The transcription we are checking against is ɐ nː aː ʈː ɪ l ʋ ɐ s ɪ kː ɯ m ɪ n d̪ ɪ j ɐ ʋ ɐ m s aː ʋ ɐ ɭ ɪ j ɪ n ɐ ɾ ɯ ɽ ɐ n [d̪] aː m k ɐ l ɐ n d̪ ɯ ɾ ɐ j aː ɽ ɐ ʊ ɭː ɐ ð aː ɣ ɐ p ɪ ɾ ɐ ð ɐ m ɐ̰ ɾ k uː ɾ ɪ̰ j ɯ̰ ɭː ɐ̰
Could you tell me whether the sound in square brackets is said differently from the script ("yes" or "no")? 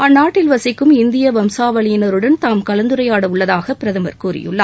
yes